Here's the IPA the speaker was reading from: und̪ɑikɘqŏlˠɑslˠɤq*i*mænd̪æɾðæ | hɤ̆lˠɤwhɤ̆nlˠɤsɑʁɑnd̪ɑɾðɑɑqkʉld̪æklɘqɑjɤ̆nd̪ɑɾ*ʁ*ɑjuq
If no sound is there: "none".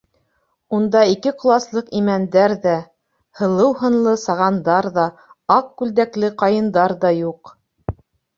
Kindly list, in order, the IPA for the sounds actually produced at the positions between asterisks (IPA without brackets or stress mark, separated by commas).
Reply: i, ð